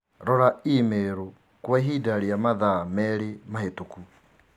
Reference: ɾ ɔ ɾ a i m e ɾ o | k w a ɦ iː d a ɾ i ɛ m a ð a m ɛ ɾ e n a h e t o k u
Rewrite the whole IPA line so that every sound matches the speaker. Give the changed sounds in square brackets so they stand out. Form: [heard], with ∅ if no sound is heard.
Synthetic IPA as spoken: ɾ ɔ ɾ a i m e ɾ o | k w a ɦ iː d a ɾ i [a] m a ð a m ɛ ɾ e [m] a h e t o k u